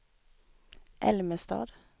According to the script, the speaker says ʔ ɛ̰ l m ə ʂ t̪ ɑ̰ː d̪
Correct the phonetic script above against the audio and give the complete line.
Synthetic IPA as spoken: ʔ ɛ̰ l m ə s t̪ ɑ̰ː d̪